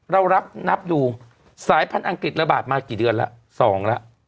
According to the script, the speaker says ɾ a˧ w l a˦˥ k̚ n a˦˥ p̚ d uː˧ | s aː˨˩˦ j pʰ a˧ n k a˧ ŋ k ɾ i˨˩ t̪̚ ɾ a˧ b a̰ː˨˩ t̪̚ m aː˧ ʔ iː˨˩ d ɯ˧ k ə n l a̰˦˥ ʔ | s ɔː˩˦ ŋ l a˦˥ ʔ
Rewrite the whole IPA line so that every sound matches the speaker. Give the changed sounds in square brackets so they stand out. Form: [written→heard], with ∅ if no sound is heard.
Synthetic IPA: ɾ a˧ w [l→ɾ] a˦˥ [k̚→p̚] n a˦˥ p̚ d uː˧ | s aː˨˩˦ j pʰ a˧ n [k→ʔ] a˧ ŋ k ɾ i˨˩ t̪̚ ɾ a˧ b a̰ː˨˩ t̪̚ m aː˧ [ʔ→k] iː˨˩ d ɯ˧ [k→∅] ə n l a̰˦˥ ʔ | s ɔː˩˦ ŋ l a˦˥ ʔ